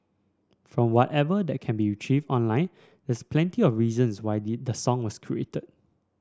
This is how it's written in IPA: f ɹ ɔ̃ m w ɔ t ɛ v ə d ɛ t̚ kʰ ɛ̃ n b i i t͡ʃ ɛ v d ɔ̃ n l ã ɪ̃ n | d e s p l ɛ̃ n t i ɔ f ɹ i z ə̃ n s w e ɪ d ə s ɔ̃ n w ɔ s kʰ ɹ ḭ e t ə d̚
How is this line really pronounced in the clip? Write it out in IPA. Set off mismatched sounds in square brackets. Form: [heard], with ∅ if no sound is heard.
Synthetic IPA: f ɹ ɔ̃ m w ɔ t ɛ v ə d ɛ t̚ kʰ ɛ̃ n b i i t͡ʃ [i] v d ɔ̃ n l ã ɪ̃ n | d [ɛ] s p l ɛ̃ n t i ɔ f ɹ i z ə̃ n s w [a] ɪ d ə s ɔ̃ [ŋ] w ɔ s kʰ ɹ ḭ e t ə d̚